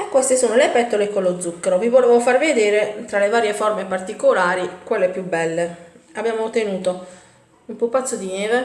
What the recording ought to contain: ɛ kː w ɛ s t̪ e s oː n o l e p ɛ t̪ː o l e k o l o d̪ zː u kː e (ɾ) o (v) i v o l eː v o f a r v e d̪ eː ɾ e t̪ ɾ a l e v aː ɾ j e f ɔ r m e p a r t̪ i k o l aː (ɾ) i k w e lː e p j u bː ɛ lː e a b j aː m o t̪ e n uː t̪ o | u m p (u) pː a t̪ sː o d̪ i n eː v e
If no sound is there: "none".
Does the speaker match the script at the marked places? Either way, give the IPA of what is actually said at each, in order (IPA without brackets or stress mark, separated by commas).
ɾ, v, ɾ, u